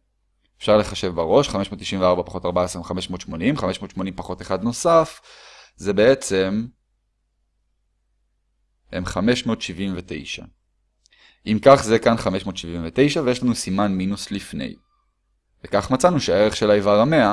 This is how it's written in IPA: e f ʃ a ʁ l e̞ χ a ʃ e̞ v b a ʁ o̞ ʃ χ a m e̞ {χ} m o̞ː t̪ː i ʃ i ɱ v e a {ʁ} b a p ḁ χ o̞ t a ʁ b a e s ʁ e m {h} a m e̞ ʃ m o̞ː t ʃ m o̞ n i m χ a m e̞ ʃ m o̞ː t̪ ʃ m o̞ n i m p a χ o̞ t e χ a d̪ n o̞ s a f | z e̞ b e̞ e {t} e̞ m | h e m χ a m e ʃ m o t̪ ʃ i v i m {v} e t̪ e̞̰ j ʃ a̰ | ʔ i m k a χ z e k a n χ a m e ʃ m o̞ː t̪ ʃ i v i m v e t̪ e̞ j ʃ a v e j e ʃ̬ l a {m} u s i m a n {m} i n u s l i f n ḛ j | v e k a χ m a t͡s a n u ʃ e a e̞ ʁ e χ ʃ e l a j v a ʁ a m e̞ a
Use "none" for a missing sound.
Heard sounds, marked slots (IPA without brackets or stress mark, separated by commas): ʃ, ʁ, χ, t͡s, v, n, m